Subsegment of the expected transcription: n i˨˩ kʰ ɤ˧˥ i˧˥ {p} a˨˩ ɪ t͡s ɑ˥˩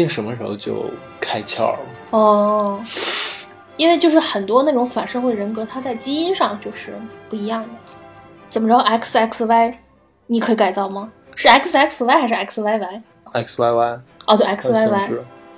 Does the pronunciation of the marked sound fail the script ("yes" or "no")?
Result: yes